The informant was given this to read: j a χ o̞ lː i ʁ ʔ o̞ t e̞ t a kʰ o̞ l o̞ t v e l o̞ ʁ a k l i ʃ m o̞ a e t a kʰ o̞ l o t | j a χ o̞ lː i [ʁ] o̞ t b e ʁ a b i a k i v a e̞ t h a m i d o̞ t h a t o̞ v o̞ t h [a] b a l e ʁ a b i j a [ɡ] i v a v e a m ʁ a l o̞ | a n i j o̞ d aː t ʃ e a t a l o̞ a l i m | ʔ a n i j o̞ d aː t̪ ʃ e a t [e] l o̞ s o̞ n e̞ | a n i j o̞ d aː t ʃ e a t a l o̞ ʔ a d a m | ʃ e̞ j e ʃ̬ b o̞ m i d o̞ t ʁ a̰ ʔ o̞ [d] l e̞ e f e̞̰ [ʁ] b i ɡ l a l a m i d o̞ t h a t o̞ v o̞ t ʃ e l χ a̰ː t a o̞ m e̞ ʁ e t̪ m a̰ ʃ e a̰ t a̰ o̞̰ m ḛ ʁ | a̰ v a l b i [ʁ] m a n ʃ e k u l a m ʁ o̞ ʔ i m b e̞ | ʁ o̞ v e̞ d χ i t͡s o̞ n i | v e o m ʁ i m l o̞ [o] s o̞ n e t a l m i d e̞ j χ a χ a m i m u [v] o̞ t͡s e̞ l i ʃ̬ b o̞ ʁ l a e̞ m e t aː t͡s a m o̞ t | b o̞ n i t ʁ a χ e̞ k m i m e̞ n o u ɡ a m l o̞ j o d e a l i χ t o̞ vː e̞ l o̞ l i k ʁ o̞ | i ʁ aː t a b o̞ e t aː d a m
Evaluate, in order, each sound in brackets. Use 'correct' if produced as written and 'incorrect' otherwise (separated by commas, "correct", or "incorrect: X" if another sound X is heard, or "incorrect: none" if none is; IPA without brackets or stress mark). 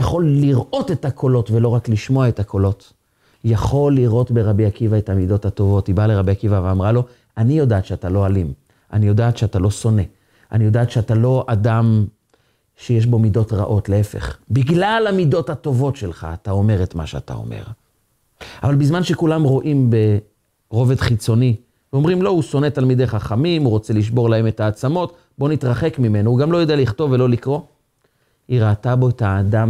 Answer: correct, incorrect: i, incorrect: k, incorrect: a, incorrect: t, incorrect: χ, incorrect: z, incorrect: u, incorrect: ʁ